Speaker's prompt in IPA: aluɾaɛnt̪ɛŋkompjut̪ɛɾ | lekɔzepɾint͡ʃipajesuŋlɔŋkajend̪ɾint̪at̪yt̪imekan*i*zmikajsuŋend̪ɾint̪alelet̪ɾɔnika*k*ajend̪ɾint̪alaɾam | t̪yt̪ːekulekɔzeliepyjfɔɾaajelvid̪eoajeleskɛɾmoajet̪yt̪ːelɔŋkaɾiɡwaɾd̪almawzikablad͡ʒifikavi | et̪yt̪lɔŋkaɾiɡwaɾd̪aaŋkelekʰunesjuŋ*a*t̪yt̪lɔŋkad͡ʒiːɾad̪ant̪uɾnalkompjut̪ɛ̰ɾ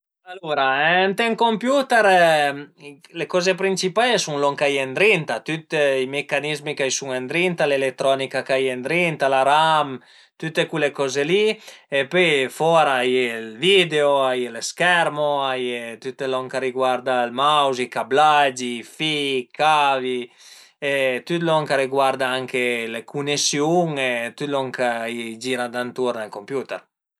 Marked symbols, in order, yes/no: yes, yes, no

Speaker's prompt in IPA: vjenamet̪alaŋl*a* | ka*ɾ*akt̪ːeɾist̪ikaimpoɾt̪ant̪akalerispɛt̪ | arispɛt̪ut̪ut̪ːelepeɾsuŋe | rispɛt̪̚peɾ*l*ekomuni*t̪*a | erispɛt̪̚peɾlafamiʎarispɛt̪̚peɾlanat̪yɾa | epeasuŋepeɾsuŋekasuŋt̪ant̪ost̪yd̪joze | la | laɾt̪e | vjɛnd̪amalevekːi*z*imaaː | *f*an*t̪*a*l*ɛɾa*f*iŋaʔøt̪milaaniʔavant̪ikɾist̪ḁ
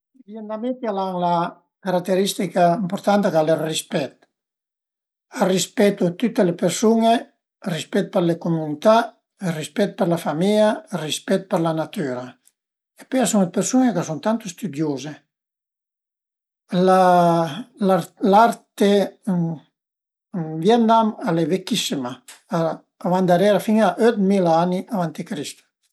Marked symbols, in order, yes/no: yes, yes, yes, yes, no, no, no, no, yes

